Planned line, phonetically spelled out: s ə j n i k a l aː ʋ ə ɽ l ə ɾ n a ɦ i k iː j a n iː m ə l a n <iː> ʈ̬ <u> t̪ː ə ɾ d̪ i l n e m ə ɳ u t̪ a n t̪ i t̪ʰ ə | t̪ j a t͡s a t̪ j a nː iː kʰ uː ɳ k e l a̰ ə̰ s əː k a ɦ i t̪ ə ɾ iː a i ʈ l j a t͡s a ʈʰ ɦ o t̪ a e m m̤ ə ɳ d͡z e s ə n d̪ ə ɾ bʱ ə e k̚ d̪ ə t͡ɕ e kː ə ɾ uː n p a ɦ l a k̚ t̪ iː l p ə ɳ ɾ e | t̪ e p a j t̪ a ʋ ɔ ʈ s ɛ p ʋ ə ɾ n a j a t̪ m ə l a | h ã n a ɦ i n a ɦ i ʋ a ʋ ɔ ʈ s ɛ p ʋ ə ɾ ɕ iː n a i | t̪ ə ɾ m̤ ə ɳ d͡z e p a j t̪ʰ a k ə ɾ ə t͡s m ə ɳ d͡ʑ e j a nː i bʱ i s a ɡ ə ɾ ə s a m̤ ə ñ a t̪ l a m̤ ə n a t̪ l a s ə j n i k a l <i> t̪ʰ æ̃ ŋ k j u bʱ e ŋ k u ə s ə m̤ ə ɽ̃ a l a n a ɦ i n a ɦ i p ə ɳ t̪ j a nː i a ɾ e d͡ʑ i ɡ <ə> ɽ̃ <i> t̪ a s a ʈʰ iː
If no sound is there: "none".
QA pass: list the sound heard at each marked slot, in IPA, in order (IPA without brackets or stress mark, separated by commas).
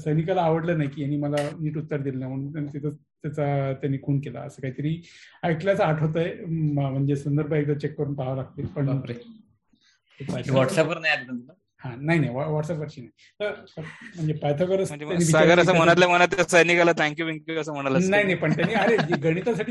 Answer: iː, u, a, ə, i